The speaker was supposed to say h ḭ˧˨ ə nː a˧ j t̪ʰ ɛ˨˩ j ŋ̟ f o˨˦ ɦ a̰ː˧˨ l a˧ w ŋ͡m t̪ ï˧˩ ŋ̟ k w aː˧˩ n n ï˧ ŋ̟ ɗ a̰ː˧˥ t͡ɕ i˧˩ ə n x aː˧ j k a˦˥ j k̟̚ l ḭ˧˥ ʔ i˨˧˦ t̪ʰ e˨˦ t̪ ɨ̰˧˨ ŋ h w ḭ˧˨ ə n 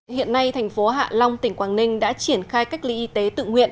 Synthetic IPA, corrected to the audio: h ḭ˧˨ ə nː a˧ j t̪ʰ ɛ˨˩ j ŋ̟ f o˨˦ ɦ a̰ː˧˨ l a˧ w ŋ͡m t̪ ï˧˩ ŋ̟ k w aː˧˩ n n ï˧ ŋ̟ ɗ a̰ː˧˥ t͡ɕ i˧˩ ə n x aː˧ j k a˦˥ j k̟̚ l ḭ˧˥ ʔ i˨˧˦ t̪ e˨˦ t̪ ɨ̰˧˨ ŋ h w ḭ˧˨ ə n